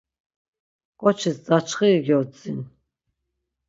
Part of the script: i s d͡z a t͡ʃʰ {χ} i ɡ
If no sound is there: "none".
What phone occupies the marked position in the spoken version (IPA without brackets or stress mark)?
χ